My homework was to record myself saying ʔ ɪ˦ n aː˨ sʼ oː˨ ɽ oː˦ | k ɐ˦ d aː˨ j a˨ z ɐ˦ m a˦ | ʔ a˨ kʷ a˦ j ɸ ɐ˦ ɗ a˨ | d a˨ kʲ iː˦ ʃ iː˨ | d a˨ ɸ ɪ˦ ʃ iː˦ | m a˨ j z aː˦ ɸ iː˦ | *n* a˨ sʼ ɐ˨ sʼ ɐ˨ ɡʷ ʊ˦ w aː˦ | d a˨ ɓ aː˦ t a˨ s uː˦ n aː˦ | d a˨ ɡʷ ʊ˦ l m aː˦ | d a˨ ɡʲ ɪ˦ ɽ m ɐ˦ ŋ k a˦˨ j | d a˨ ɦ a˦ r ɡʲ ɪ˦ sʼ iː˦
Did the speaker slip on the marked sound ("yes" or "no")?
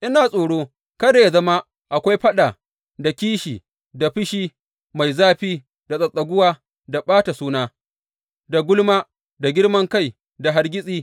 yes